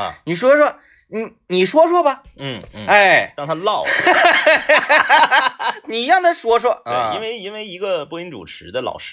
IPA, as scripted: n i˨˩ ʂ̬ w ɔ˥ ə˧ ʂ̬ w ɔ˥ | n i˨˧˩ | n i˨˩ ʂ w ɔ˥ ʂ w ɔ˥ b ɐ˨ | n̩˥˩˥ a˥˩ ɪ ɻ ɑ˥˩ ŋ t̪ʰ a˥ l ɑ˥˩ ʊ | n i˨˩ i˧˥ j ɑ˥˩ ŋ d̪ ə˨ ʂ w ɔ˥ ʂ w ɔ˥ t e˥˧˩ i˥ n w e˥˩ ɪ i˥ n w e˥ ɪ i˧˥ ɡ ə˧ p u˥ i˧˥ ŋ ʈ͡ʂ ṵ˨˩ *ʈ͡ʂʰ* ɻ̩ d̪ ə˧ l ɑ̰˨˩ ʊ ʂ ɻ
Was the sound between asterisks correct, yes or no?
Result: yes